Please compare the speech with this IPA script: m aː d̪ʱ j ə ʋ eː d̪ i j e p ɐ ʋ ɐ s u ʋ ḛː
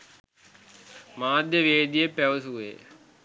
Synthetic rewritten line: m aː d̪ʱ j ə ʋ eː d̪ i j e p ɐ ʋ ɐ s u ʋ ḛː

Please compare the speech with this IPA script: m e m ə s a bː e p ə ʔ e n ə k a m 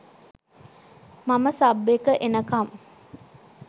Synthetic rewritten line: m a m ə s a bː e k ə ʔ e n ə k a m

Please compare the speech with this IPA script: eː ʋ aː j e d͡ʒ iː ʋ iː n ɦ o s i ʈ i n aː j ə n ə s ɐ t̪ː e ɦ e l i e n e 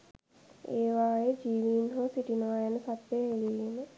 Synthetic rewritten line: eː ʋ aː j e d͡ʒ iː ʋ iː n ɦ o s i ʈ i n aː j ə n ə s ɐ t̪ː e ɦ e l i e n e

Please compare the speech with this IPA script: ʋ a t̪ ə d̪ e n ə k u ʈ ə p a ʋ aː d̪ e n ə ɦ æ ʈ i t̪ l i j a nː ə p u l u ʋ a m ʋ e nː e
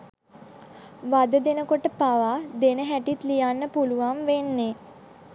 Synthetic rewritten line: ʋ a d̪ ə d̪ e n ə k o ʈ ə p a ʋ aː d̪ e n ə ɦ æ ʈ i t̪ l i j a nː ə p u l u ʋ a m ʋ e nː e

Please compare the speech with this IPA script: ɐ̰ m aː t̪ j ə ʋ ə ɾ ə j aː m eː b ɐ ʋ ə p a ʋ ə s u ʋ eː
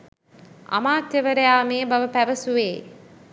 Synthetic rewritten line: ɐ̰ m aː t̪ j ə ʋ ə ɾ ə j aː m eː b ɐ ʋ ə p æ ʋ ə s u ʋ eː

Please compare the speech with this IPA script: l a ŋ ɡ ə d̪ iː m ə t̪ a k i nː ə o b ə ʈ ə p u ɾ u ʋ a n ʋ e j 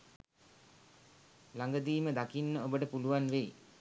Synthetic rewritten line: l a ŋ ɡ ə d̪ iː m ə d̪ a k i nː ə o b ə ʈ ə p u l u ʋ a n ʋ e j

